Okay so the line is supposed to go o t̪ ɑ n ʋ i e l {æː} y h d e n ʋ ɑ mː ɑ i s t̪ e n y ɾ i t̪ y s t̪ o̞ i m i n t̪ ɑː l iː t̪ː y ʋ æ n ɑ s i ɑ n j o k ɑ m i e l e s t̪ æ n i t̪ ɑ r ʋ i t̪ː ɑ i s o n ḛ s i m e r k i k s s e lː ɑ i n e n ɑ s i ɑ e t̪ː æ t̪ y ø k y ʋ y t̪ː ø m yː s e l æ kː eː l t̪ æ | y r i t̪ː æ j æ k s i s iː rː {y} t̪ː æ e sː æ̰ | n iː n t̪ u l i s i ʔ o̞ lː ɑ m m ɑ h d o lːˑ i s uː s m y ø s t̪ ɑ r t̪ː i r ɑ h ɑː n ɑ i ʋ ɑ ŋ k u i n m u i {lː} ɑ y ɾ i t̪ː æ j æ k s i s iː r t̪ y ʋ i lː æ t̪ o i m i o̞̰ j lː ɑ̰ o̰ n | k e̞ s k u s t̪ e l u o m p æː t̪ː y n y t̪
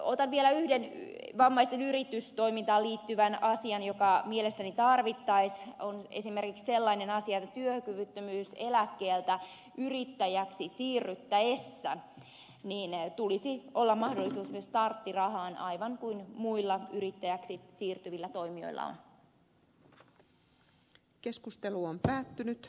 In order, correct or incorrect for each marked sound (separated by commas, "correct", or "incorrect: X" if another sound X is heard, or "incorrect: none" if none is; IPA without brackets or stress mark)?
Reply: incorrect: æ, correct, correct